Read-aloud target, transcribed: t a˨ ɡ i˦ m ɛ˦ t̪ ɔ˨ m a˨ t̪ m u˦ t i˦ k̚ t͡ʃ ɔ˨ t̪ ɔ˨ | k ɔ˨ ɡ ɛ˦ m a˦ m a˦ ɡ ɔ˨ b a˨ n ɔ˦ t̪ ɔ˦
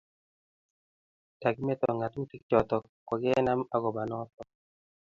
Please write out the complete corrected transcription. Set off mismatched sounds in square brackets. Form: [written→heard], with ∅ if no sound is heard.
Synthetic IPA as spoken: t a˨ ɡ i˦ m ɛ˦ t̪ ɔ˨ [m→ŋ] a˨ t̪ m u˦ t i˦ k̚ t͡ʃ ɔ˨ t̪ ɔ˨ | k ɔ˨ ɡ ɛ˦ [m→n] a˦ m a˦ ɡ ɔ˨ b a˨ n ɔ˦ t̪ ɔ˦